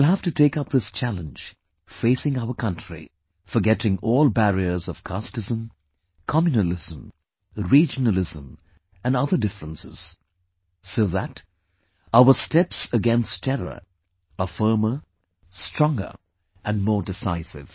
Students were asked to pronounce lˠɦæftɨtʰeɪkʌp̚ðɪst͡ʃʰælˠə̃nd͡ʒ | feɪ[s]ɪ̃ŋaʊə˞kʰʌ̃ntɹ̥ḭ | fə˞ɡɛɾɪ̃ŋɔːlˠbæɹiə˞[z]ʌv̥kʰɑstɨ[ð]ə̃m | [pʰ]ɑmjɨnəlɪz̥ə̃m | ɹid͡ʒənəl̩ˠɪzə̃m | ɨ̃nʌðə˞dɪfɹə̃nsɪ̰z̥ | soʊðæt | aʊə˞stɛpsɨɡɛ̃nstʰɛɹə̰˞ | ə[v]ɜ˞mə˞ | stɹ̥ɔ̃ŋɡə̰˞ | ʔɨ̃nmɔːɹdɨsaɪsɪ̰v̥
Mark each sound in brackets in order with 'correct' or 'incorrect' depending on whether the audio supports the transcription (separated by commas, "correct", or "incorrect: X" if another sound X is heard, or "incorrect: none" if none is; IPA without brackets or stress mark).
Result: correct, correct, incorrect: z, incorrect: kʰ, incorrect: f